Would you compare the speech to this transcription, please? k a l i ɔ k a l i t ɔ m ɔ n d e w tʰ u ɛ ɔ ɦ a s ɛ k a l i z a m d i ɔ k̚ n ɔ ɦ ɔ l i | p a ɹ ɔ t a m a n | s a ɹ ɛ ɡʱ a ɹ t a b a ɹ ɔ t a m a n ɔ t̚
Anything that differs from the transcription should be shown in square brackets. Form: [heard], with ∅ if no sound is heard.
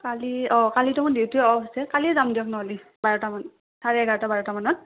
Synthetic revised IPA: k a l i ɔ k a l i t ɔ m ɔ n d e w [t] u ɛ ɔ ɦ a s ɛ k a l i z a m d i ɔ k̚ n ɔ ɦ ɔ l i | [b] a ɹ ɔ t a m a n | s a ɹ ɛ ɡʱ a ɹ t a b a ɹ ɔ t a m a n ɔ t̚